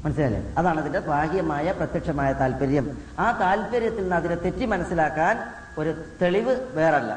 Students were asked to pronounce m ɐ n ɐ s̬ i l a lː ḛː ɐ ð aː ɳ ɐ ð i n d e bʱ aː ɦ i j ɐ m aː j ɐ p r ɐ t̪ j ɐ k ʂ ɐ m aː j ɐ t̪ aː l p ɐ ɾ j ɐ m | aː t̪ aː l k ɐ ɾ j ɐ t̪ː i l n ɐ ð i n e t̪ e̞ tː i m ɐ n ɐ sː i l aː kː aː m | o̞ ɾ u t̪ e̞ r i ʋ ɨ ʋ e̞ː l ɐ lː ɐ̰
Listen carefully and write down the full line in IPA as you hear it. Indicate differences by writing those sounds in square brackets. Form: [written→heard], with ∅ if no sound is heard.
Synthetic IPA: m ɐ n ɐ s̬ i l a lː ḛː ɐ ð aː ɳ ɐ ð i n d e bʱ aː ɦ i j ɐ m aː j ɐ p r ɐ t̪ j ɐ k ʂ ɐ m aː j ɐ t̪ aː l p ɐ ɾ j ɐ m | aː t̪ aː l [k→p] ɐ ɾ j ɐ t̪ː i l n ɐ ð i n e t̪ e̞ tː i m ɐ n ɐ sː i l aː kː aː [m→n] | o̞ ɾ u t̪ e̞ [r→ɭ] i ʋ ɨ ʋ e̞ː [l→r] ɐ lː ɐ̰